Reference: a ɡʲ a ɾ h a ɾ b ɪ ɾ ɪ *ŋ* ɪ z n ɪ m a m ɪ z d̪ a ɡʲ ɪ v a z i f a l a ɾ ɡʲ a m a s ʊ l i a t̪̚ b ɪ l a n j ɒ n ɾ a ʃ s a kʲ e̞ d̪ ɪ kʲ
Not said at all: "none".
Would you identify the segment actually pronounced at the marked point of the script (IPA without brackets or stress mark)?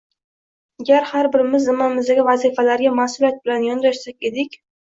m